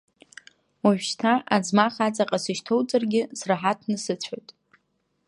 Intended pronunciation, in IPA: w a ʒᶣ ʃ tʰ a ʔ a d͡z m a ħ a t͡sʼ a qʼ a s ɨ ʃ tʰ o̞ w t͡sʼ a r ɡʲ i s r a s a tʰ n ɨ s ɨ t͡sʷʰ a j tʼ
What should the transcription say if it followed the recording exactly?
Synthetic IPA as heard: w a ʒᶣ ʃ tʰ a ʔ a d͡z m a χ a t͡sʼ a qʼ a s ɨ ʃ tʰ o̞ w t͡sʼ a r ɡʲ ɪ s r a ħ a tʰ n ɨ s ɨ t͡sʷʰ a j tʼ